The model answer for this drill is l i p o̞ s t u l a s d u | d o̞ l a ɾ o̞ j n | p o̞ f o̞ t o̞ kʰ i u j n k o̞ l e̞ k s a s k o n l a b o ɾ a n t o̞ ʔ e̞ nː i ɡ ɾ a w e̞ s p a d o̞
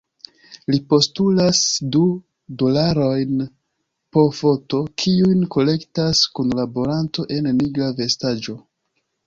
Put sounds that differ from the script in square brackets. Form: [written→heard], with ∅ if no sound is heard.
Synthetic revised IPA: l i p o̞ s t u l a s d u | d o̞ l a ɾ o̞ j n | p o̞ f o̞ t o̞ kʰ i u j n k o̞ l e̞ k [s→t] a s k [o→u] n l a b o ɾ a n t o̞ ʔ e̞ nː i ɡ ɾ a [w→v] e̞ s [p→t] a [d→d͡ʒ] o̞